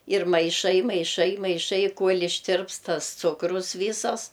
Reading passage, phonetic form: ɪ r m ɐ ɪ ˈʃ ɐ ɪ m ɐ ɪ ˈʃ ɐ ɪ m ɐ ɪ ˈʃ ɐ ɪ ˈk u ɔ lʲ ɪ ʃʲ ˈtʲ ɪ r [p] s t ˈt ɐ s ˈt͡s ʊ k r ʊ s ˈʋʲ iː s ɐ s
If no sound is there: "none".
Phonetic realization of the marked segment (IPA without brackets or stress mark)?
p